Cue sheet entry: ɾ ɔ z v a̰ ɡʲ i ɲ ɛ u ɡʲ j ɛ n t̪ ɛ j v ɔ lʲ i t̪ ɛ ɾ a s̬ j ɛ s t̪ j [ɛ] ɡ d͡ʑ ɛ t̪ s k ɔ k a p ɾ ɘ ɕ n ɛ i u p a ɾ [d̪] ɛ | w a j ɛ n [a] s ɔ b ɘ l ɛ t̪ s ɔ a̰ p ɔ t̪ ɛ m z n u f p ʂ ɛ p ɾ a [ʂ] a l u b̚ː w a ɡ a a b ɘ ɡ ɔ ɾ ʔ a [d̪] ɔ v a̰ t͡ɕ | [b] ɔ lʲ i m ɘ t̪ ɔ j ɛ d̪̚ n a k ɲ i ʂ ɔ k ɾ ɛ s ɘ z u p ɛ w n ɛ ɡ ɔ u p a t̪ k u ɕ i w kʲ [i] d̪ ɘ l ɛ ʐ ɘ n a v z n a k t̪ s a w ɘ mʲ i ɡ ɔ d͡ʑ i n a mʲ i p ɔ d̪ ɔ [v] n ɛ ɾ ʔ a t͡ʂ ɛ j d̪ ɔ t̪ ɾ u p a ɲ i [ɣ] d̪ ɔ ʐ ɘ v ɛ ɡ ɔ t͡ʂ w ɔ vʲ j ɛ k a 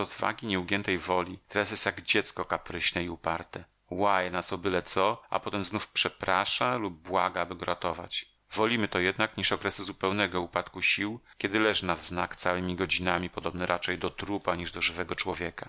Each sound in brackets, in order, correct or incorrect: incorrect: a, incorrect: t̪, correct, correct, incorrect: t̪, incorrect: v, incorrect: ɛ, incorrect: b, incorrect: ʐ

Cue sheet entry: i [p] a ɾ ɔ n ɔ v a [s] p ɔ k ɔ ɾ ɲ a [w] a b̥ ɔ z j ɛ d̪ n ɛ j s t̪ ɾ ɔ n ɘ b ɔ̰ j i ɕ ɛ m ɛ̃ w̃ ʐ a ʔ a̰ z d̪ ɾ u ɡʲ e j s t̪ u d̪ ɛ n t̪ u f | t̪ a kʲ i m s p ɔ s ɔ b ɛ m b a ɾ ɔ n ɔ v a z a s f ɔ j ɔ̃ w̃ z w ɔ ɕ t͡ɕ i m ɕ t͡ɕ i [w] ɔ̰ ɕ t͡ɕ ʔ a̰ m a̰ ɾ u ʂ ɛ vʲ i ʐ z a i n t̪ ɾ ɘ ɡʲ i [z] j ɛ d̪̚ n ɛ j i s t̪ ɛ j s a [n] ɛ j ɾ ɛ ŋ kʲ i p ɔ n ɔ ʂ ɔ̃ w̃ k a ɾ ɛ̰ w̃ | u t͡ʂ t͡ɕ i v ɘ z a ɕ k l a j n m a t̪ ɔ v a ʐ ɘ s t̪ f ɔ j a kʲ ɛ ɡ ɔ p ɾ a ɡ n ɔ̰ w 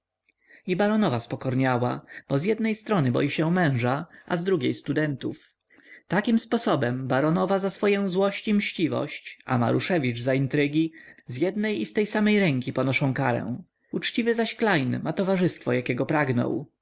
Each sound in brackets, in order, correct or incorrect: incorrect: b, correct, correct, incorrect: v, correct, incorrect: m

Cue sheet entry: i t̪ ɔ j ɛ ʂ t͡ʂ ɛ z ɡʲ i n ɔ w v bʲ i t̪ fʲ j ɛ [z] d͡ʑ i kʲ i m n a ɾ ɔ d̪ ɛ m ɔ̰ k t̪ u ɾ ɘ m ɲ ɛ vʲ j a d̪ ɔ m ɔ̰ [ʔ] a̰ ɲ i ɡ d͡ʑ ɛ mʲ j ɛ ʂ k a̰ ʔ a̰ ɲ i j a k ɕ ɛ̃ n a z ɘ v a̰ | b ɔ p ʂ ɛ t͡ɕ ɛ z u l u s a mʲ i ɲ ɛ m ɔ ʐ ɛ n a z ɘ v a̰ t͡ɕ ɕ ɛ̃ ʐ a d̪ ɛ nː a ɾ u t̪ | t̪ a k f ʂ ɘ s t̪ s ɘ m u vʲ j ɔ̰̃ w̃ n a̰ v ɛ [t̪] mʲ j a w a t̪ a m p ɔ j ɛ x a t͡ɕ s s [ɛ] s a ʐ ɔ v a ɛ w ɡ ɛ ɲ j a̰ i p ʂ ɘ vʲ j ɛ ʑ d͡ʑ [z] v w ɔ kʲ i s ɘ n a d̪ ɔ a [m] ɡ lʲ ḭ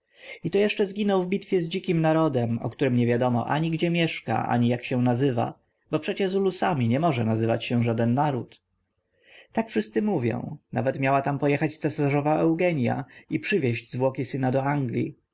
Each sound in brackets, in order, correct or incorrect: correct, correct, correct, correct, correct, incorrect: ŋ

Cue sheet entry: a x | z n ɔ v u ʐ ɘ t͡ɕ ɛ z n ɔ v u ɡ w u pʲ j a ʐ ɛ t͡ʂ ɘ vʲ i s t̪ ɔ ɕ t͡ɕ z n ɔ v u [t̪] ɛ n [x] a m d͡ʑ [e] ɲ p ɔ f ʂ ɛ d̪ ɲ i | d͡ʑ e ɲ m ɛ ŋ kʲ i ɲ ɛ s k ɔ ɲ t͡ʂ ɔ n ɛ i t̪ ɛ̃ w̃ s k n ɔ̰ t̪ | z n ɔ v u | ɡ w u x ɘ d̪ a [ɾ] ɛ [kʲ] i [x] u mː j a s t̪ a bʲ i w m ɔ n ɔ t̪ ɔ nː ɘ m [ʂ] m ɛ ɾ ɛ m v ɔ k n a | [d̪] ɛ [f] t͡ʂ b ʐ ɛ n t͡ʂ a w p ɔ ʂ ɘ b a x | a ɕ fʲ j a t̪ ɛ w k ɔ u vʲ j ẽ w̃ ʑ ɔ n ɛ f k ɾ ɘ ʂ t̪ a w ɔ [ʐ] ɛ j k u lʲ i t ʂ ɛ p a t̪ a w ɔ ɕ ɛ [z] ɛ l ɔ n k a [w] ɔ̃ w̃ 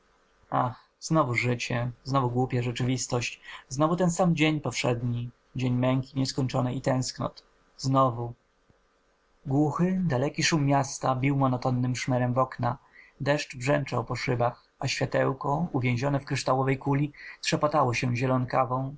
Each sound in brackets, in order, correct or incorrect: correct, incorrect: s, correct, incorrect: l, correct, incorrect: ʂ, correct, correct, incorrect: ʂ, incorrect: v, incorrect: ʑ, incorrect: v

